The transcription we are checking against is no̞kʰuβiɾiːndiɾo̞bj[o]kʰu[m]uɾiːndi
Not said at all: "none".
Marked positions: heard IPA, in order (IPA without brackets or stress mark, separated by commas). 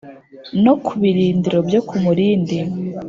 o, m